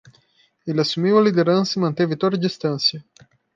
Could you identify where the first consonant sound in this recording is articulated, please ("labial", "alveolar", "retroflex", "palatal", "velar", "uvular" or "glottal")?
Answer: alveolar